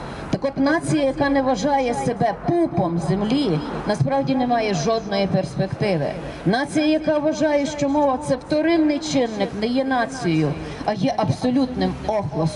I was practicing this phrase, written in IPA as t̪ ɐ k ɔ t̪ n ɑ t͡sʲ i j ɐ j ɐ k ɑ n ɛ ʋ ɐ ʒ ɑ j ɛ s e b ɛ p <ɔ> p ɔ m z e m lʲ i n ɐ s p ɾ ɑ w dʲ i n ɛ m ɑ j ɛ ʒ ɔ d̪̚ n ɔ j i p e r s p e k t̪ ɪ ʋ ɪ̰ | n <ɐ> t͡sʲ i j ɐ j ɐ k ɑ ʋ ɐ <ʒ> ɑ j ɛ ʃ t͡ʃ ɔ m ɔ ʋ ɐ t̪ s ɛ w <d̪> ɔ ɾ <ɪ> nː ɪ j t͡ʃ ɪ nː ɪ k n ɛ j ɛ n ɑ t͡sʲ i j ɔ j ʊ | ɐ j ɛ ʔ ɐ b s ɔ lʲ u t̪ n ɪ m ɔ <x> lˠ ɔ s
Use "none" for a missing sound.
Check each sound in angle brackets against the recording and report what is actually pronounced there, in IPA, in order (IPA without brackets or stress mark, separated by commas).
u, ɑ, ʒ, t̪, ɪ, x